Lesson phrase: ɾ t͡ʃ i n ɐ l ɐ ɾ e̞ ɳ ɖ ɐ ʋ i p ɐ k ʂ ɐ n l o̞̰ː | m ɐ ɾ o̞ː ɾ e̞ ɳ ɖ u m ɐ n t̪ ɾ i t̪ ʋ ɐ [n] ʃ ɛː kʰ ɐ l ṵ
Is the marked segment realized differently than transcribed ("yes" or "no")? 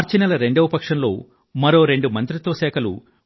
yes